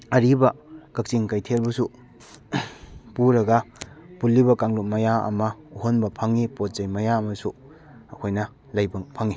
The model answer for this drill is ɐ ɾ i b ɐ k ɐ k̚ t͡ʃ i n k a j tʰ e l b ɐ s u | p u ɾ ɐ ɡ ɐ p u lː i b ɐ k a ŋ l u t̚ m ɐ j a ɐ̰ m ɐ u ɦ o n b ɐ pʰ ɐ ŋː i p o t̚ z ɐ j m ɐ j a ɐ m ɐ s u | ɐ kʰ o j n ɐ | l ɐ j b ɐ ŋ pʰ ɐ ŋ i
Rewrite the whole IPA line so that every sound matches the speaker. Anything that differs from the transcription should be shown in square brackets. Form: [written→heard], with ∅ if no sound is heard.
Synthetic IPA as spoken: ɐ ɾ i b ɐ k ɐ k̚ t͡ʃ i [n→ŋ] k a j tʰ e l b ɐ s u | p u ɾ ɐ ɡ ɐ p u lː i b ɐ k a ŋ l u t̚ m ɐ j a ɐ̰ m ɐ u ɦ o n b ɐ pʰ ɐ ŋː i p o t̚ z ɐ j m ɐ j a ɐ m ɐ s u | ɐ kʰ o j n ɐ | l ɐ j b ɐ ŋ pʰ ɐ ŋ i